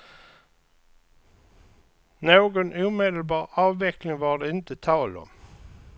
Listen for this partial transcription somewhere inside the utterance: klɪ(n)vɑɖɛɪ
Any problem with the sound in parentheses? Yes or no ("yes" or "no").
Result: yes